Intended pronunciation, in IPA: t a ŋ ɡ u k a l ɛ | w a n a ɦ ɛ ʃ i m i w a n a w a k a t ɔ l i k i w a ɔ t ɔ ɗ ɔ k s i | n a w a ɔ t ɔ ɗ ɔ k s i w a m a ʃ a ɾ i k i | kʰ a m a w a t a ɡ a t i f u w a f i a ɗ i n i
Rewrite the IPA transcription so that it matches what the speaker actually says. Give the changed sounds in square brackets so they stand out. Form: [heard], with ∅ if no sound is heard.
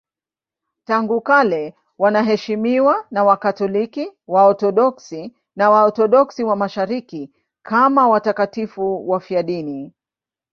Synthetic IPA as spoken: t a ŋ ɡ u k a l ɛ | w a n a ɦ ɛ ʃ i m i w a n a w a k a t ɔ l i k i w a ɔ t ɔ ɗ ɔ k s i | n a w a ɔ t ɔ ɗ ɔ k s i w a m a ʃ a ɾ i k i | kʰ a m a w a t a [k] a t i f u w a f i a ɗ i n i